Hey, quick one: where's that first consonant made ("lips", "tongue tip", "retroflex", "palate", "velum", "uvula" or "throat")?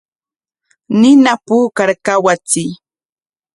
tongue tip